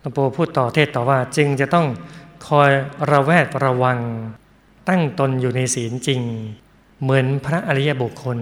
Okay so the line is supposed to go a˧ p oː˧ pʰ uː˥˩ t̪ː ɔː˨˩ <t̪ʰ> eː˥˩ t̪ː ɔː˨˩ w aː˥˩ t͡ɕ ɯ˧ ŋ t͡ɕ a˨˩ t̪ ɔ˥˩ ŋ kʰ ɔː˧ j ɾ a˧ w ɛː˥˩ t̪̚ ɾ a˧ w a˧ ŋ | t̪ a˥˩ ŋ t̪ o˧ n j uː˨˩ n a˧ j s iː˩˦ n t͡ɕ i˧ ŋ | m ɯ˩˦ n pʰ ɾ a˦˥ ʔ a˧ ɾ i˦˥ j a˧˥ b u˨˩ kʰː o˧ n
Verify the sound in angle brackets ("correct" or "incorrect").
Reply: correct